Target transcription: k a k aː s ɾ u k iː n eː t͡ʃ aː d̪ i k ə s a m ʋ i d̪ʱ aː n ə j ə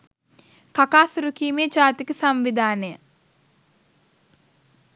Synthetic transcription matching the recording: k a k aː s ɾ u k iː m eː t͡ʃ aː t̪ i k ə s a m ʋ i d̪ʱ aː n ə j ə